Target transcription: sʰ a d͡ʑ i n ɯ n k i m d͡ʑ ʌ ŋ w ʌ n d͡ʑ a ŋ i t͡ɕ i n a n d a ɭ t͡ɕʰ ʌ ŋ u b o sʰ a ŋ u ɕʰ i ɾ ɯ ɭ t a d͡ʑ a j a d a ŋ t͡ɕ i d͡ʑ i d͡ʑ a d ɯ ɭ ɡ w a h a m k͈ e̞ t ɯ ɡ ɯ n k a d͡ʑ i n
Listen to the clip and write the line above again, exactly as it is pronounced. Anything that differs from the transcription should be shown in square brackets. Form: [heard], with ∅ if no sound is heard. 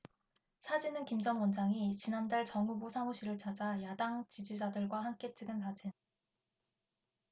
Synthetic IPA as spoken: sʰ a d͡ʑ i n ɯ n k i m d͡ʑ ʌ ŋ w ʌ n d͡ʑ a ŋ i t͡ɕ i n a n d a ɭ [t͡ɕ] ʌ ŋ u b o sʰ a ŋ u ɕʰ i ɾ ɯ ɭ [t͡ɕ] a d͡ʑ a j a d a ŋ t͡ɕ i d͡ʑ i d͡ʑ a d ɯ ɭ ɡ w a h a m k͈ e̞ [t͡ɕ͈] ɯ ɡ ɯ n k a d͡ʑ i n